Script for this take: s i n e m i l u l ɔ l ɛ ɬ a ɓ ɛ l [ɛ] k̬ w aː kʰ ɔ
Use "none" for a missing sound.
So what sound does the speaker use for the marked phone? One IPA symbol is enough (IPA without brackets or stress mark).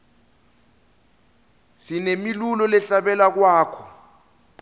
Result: a